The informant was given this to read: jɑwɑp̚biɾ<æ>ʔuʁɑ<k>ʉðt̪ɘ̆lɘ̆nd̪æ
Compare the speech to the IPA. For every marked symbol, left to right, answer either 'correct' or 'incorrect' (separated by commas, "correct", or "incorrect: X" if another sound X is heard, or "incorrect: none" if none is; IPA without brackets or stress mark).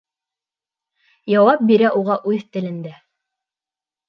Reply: correct, incorrect: ʔ